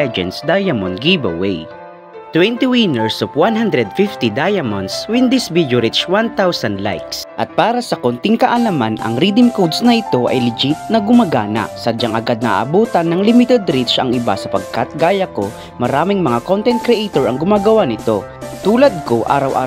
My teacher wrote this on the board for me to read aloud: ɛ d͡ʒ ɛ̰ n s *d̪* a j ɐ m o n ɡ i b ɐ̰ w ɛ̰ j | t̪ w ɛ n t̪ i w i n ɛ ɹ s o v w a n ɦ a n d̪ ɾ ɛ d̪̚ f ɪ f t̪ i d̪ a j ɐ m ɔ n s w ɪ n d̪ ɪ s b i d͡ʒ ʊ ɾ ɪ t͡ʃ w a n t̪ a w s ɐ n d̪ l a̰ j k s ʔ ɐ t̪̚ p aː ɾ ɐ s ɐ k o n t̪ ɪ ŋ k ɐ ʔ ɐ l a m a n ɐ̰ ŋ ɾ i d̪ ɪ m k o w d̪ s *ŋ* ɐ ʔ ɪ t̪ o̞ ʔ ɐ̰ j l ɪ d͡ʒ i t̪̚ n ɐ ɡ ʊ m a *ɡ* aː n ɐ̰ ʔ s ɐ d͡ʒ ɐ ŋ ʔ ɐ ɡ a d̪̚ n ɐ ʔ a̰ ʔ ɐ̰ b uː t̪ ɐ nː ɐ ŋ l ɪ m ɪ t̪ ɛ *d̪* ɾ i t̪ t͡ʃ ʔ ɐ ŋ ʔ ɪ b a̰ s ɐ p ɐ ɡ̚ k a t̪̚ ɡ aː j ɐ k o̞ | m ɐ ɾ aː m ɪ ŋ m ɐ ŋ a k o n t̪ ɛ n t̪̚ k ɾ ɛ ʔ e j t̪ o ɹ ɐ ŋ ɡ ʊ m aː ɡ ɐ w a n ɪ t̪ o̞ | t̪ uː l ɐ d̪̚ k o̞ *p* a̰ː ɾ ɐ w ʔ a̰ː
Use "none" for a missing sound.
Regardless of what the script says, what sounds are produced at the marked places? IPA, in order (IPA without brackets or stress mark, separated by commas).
d̪, n, ɡ, d̪, ʔ